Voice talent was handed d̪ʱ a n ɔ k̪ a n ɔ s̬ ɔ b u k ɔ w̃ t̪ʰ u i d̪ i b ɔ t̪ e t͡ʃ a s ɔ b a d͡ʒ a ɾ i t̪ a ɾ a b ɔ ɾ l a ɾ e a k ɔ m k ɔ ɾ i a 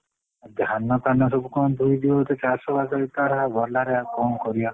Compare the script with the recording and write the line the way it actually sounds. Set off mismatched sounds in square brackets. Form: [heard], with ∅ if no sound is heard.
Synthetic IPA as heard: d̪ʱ a n ɔ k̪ a n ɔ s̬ ɔ b u k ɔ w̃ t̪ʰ u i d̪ i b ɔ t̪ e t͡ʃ a s ɔ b a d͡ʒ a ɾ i t̪ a ɾ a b ɔ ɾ l a ɾ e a k ɔ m k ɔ ɾ i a